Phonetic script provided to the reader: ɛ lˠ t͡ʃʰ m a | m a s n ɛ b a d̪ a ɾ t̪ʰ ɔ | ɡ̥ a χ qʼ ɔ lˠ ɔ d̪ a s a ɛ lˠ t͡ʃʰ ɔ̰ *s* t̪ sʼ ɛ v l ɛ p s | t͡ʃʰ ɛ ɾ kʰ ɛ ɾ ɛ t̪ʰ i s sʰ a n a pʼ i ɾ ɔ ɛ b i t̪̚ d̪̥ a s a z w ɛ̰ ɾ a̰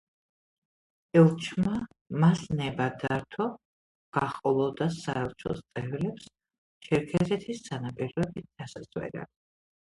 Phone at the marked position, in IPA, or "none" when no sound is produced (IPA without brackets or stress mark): s